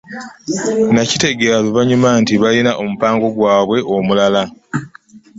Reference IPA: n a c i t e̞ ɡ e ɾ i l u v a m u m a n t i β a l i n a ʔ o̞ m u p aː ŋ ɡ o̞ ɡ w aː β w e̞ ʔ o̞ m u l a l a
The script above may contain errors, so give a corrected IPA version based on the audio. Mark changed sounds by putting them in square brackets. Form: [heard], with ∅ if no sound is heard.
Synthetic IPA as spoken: n a c i t e̞ ɡ e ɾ [a] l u [β] a [ɲ] u m a n t i β a l i n a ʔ o̞ m u p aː ŋ ɡ o̞ ɡ w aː β w e̞ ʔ o̞ m u l a l a